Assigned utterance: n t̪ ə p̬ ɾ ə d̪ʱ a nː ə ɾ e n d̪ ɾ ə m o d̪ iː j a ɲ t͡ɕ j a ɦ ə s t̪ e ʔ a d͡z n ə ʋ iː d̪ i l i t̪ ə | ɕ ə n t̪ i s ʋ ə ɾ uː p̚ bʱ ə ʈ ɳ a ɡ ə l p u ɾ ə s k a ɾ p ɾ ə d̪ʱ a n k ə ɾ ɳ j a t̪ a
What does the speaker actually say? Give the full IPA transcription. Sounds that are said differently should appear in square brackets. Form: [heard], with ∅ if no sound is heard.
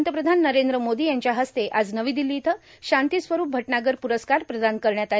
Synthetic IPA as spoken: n t̪ ə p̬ ɾ ə d̪ʱ a nː ə ɾ e n d̪ ɾ ə m o d̪ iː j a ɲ t͡ɕ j a ɦ ə s t̪ e ʔ a d͡z n ə ʋ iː d̪ i l i t̪ ə | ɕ [a] n t̪ i s ʋ ə ɾ uː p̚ bʱ ə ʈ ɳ a ɡ ə [ɾ] p u ɾ ə s k a ɾ p ɾ ə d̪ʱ a n k ə ɾ ɳ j a t̪ a